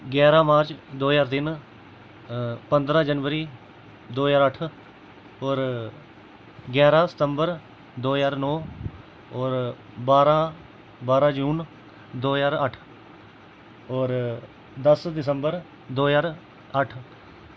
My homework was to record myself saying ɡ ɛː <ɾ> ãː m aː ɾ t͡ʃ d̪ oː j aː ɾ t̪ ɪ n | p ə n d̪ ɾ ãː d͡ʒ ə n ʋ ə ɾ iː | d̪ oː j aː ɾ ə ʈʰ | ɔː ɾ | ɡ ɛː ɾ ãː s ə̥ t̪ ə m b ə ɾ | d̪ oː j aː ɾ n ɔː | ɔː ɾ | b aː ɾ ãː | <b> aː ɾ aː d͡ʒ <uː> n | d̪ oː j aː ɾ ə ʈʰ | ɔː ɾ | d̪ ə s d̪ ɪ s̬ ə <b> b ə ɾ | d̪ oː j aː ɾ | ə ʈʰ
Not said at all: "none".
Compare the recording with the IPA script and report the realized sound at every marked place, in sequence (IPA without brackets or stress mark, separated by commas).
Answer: ɾ, b, uː, m